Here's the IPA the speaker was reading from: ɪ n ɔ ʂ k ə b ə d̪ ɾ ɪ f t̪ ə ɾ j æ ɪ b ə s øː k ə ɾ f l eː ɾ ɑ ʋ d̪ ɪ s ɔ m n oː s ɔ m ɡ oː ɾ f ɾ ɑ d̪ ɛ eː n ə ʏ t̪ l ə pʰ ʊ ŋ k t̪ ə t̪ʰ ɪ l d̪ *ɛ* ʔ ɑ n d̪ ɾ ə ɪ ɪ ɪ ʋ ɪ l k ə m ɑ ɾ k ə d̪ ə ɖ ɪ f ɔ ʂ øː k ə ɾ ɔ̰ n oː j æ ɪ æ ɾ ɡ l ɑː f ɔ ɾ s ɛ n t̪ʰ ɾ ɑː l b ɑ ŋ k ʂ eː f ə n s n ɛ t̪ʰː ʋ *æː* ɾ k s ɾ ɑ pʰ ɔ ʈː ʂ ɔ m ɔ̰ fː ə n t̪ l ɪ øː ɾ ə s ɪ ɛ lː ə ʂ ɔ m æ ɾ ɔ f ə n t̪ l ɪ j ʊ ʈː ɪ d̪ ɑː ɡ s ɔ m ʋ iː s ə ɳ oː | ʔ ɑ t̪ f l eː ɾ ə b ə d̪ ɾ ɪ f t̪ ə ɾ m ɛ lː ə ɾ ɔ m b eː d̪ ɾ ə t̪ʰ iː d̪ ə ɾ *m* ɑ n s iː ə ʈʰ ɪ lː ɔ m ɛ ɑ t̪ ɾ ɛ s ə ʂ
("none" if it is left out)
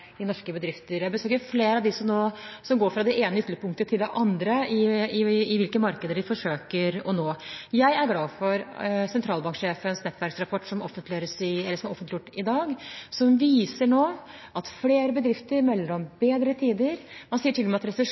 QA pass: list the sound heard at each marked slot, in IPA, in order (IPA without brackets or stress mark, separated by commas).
ɛ, æ, m